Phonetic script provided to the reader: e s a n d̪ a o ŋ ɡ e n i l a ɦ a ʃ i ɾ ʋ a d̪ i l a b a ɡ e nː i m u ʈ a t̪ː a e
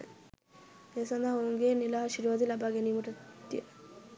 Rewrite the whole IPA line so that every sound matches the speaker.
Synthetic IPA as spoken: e s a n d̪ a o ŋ ɡ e n i l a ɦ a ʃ i ɾ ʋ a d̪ i l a b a ɡ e n i m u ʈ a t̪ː i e